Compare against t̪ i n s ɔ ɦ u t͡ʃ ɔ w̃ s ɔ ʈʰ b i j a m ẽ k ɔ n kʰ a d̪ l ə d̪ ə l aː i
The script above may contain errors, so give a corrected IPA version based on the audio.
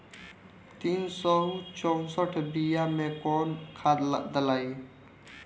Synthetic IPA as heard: t̪ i n s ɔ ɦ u t͡ʃ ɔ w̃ s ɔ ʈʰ b i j a m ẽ k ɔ n kʰ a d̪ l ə d̪ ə l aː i

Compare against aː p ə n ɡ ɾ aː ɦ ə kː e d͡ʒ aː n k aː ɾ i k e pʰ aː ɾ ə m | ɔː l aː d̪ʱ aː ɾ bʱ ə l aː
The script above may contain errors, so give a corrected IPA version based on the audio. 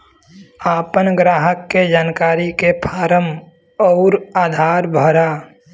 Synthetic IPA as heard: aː p ə n ɡ ɾ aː ɦ ə kː e d͡ʒ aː n k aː ɾ i k e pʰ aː ɾ ə m | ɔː ɾ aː d̪ʱ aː ɾ bʱ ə ɾ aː

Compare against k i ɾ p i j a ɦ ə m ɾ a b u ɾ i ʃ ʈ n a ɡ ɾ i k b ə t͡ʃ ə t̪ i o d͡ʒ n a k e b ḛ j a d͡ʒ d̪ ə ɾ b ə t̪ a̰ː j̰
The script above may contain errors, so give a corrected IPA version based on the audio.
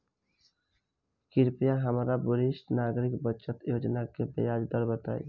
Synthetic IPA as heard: k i ɾ p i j a ɦ ə m ɾ a b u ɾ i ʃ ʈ n a ɡ ɾ i k b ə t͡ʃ ə t̪ j o d͡ʒ n a k e b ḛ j a d͡ʒ d̪ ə ɾ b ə t̪ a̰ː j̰

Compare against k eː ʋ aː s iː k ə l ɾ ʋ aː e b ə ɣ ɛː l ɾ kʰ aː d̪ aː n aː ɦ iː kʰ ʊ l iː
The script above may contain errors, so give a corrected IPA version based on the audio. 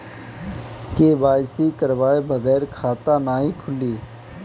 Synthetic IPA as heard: k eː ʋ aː s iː k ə ɾ ʋ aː e b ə ɣ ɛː ɾ kʰ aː t̪ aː n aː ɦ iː kʰ ʊ l iː

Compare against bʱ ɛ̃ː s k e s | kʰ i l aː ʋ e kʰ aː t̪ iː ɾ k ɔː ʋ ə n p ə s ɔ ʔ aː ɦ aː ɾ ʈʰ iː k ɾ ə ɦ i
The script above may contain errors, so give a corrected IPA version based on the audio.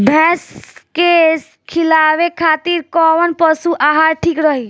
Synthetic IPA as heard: bʱ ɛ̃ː s k e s | kʰ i l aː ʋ e kʰ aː t̪ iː ɾ k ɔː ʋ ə n p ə s u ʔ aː ɦ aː ɾ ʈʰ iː k ɾ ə ɦ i

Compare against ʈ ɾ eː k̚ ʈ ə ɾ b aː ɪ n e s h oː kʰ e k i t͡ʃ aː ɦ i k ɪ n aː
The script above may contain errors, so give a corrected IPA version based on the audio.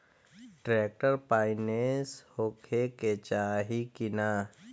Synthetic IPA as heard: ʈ ɾ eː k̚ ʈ ə ɾ p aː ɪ n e s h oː kʰ e k e t͡ʃ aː ɦ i k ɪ n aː

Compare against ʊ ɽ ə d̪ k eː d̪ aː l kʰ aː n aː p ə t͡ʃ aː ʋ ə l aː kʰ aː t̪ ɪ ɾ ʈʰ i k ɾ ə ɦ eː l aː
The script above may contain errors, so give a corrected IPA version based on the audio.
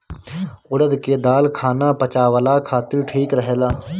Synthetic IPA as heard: ʊ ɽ ə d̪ k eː d̪ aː l kʰ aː n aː p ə t͡ʃ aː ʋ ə l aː kʰ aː t̪ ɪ ɾ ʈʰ iː k ɾ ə ɦ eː l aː

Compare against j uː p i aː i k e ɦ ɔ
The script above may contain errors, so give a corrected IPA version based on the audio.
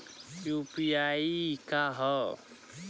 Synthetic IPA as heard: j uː p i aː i k a ɦ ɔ

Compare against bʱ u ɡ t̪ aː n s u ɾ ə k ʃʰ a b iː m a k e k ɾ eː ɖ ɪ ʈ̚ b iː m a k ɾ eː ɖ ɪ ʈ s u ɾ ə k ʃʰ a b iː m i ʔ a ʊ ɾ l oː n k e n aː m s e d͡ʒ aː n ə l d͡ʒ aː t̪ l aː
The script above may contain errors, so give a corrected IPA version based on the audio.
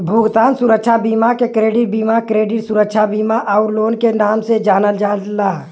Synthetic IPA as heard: bʱ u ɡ t̪ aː n s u ɾ ə k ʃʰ a b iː m a k e k ɾ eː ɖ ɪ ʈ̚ b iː m a k ɾ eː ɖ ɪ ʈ s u ɾ ə k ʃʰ a b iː m a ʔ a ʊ ɾ l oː n k e n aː m s e d͡ʒ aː n ə l d͡ʒ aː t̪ l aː

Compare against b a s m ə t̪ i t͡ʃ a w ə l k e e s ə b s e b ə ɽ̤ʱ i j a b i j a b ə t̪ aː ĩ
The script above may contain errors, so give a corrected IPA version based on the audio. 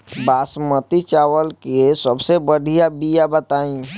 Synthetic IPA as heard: b a s m ə t̪ i t͡ʃ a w ə l k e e s ə b s e b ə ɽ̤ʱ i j a b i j a b ə t̪ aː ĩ

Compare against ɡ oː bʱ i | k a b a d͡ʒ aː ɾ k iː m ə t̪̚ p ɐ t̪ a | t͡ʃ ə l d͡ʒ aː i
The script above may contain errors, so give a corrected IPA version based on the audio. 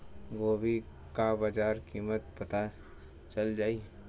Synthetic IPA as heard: ɡ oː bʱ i | k a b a d͡ʒ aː ɾ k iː m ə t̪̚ p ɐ t̪ a | t͡ʃ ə l d͡ʒ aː i

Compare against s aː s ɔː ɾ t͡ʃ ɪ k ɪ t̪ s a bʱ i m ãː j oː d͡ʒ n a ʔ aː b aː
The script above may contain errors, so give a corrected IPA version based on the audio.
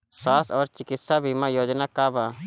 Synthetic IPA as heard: s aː s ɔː ɾ t͡ʃ ɪ k ɪ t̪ s a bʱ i m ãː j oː d͡ʒ n a k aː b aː

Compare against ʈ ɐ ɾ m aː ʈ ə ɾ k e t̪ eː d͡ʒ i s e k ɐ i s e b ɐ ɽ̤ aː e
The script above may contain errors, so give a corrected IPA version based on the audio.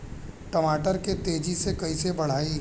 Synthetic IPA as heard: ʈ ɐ m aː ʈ ə ɾ k e t̪ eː d͡ʒ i s e k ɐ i s e b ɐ ɽ̤ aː i

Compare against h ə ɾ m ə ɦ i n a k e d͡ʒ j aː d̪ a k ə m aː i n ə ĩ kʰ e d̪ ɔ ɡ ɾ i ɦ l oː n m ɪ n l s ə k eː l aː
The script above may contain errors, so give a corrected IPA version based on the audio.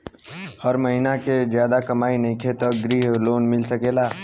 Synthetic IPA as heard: h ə ɾ m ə ɦ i n a k e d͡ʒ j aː d̪ a k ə m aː i n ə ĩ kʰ e t̪ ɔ ɡ ɾ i ɦ l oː n m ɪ l s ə k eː l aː

